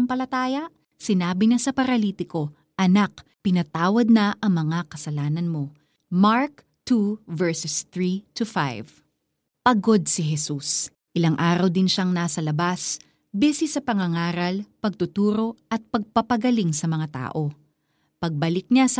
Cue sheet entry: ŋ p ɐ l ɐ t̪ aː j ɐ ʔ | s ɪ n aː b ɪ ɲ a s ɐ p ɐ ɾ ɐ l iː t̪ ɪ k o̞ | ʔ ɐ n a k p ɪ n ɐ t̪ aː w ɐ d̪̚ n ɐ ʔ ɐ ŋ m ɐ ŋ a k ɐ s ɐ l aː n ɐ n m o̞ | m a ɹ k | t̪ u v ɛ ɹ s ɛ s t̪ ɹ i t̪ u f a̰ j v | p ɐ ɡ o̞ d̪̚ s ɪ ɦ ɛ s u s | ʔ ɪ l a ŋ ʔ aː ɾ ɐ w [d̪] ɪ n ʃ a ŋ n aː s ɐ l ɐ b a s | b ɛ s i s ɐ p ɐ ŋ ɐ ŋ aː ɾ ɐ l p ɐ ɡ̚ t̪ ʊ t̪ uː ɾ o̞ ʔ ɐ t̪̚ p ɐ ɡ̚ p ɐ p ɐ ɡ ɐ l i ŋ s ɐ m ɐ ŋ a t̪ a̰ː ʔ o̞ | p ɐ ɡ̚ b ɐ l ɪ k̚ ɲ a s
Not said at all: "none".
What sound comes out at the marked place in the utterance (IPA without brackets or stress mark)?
d̪